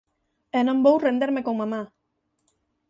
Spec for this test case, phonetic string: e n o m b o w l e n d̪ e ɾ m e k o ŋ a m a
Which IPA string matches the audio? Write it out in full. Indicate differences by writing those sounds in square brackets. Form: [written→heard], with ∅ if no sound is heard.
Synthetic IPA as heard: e n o m b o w [l→r] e n d̪ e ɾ m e k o [ŋ→m] a m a